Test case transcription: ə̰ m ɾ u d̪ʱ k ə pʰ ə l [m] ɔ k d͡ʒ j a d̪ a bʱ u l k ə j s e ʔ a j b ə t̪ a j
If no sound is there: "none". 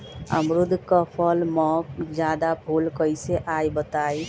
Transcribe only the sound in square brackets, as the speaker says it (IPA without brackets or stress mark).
m